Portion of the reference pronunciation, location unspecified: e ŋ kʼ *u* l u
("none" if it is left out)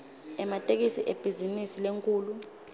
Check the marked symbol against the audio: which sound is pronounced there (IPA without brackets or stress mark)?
uː